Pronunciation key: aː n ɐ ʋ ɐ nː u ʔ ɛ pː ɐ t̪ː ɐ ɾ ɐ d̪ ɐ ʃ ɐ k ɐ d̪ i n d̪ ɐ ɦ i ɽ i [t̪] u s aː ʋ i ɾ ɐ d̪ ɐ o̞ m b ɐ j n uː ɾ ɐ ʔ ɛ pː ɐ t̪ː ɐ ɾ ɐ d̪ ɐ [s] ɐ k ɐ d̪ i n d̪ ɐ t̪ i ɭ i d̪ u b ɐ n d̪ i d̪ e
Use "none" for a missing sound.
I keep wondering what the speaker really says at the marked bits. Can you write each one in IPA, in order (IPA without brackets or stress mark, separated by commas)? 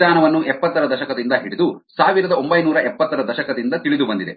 d̪, ʃ